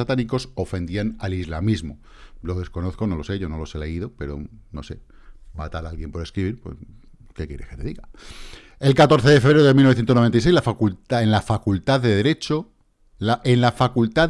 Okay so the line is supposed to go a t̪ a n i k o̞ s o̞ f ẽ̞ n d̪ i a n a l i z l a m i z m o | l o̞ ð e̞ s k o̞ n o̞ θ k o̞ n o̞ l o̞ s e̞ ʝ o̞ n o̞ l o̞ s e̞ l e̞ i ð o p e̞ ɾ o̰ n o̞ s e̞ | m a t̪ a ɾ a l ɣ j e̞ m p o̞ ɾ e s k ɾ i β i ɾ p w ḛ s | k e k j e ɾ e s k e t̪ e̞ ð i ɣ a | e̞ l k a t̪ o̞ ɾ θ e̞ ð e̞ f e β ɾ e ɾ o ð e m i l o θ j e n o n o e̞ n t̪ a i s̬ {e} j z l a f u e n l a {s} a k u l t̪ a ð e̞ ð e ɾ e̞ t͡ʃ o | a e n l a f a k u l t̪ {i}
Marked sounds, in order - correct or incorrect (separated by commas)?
correct, incorrect, incorrect